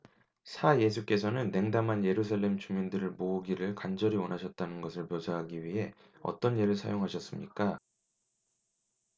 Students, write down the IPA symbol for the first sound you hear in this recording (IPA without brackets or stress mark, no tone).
sʰ